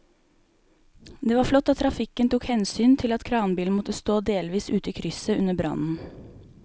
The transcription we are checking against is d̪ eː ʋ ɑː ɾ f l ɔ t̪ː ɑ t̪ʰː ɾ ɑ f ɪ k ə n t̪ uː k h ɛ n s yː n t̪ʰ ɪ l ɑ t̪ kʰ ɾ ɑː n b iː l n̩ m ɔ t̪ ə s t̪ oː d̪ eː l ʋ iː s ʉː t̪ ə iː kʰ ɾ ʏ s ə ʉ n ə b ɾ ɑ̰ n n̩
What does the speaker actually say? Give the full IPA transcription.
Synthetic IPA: d̪ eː ʋ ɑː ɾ f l ɔ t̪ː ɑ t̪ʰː ɾ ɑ f ɪ k ə n t̪ uː k h ɛ n s yː n t̪ʰ ɪ l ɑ t̪ kʰ ɾ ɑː n b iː l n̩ m ɔ t̪ ə s t̪ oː d̪ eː l ʋ iː s ʉː t̪ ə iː kʰ ɾ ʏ s ə ʉ n ə b ɾ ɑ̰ n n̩